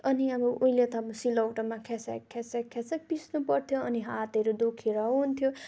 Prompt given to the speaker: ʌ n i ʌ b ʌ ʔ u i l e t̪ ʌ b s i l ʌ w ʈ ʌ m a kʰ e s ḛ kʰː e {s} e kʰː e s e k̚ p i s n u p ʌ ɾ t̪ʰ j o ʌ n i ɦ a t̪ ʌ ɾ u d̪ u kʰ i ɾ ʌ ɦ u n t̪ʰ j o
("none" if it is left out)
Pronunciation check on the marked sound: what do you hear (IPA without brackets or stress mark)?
s